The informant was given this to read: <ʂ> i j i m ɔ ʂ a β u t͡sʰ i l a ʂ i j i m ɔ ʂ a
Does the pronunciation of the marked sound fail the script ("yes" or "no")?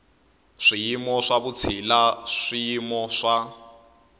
no